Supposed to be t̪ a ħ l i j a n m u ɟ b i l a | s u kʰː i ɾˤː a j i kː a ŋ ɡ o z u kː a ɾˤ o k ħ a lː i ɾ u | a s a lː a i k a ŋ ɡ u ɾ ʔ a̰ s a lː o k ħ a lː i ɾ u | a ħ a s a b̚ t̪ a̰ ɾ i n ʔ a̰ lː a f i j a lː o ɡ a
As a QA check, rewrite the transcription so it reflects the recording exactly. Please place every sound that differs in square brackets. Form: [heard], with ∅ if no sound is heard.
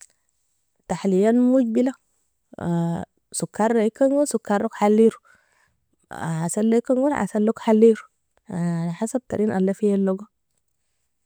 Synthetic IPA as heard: t̪ a ħ l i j a n m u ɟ b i l a | s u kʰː [a] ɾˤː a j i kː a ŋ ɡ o [s] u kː a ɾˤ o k ħ a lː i ɾ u | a s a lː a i k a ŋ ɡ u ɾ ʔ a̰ s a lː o k ħ a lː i ɾ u | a ħ a s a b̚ t̪ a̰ ɾ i n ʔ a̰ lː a f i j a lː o ɡ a